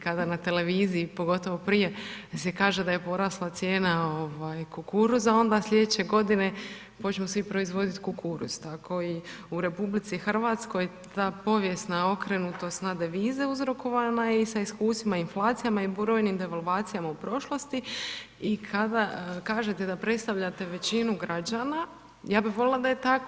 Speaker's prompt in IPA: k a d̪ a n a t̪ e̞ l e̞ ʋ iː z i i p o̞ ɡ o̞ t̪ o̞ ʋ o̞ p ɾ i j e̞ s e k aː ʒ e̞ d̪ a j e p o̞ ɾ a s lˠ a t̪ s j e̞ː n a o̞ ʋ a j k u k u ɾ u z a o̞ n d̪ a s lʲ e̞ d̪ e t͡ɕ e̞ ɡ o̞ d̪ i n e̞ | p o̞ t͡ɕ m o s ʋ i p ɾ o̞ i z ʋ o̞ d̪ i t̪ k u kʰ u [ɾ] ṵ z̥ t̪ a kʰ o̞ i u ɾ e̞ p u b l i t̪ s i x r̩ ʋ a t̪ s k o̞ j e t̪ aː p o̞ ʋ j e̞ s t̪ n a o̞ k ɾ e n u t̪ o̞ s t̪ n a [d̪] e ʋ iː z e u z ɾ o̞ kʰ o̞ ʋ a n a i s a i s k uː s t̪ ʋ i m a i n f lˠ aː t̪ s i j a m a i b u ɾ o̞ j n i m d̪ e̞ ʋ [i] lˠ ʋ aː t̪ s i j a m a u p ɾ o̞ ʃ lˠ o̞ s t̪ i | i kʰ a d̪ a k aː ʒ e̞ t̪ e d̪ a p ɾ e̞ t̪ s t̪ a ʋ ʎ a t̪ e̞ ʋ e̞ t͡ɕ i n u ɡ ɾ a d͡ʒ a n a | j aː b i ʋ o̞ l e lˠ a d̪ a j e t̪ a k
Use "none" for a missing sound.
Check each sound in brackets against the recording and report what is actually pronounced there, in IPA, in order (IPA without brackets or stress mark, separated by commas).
ɾ, d̪, a